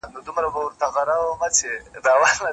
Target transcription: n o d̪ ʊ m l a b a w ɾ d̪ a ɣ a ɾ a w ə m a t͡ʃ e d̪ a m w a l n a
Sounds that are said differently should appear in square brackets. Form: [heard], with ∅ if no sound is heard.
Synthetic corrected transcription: n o d̪ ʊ m [ɾ] a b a w ɾ [t̪] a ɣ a ɾ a w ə m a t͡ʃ e d̪ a [∅] w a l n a